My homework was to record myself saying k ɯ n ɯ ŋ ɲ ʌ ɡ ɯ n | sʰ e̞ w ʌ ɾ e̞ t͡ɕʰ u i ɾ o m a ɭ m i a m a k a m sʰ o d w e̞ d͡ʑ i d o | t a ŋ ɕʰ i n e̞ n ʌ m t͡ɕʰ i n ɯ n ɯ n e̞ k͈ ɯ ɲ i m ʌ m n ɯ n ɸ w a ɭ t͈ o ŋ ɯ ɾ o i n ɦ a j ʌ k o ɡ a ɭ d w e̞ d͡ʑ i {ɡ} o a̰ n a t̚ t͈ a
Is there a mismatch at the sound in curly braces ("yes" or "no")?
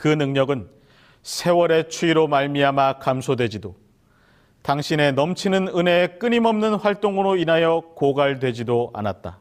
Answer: yes